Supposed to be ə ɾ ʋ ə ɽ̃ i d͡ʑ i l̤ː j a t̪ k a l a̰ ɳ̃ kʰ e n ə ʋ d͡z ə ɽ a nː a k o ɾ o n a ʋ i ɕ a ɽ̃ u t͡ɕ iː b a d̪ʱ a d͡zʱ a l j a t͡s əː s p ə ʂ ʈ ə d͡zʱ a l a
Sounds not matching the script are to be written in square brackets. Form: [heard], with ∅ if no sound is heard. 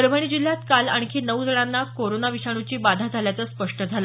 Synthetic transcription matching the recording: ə ɾ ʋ ə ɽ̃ i d͡ʑ i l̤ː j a t̪ k a l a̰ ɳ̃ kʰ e n ə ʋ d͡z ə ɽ a nː a k o ɾ o n a ʋ i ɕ a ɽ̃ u t͡ɕ iː b a d̪ʱ a d͡zʱ a l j a t͡s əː s p ə ʂ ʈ ə d͡zʱ a l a